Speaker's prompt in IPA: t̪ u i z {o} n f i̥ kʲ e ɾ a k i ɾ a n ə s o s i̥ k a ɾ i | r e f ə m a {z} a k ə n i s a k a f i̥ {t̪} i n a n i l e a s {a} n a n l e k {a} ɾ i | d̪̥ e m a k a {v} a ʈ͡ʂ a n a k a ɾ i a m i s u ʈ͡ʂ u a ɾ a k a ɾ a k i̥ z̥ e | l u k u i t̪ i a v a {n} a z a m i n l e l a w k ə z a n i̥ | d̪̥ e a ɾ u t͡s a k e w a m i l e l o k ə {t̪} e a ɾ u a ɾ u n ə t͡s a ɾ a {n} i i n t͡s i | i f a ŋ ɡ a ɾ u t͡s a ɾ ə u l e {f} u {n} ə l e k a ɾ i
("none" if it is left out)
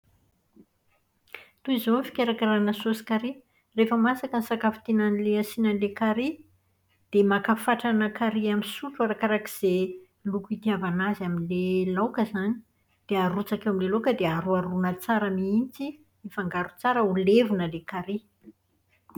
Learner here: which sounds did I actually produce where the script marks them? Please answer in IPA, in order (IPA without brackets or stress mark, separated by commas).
o, s, t̪, i, a, f, n, d̪, m, v, n